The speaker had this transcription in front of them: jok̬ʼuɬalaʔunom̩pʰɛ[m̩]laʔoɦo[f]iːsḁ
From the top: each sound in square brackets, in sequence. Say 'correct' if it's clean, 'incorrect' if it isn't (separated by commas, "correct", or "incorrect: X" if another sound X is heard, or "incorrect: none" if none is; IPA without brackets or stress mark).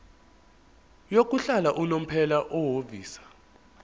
incorrect: none, incorrect: v